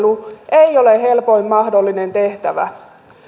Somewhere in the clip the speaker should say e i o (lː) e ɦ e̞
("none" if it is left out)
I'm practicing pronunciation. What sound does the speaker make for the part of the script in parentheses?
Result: l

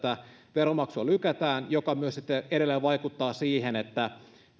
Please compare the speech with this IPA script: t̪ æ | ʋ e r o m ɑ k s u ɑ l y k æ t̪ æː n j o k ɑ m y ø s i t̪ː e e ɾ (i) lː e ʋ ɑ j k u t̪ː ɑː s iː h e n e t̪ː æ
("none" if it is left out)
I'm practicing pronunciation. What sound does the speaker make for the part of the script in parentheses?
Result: e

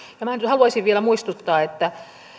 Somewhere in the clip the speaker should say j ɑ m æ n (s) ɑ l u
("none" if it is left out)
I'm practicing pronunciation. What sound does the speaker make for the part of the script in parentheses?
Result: h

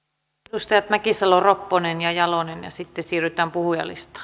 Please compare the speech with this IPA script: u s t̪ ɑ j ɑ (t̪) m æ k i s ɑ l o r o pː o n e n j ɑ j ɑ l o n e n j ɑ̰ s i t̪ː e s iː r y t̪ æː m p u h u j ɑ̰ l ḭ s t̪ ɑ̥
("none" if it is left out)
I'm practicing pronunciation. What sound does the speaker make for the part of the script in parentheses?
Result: t̪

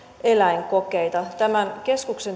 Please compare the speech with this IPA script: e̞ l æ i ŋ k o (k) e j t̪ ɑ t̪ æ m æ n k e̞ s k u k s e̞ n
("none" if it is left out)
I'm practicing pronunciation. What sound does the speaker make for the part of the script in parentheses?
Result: k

